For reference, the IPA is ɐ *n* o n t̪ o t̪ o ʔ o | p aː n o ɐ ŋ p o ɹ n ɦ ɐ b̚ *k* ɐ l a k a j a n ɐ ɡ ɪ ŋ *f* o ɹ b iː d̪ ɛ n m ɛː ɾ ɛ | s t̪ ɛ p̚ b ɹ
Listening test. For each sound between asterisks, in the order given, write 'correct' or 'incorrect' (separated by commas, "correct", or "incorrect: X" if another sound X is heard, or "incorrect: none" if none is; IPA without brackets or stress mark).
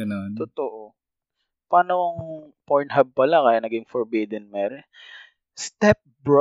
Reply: correct, incorrect: p, correct